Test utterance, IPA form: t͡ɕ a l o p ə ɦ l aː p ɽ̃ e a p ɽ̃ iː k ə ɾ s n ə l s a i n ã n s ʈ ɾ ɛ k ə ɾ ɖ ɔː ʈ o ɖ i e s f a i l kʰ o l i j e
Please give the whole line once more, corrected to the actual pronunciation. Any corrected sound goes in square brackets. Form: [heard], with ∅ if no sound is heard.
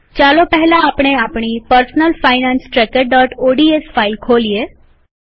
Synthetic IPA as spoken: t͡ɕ a l o p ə ɦ l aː p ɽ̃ e a p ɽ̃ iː [p] ə ɾ s n ə l [f] a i n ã n s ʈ ɾ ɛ k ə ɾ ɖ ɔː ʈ o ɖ i e s f a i l kʰ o l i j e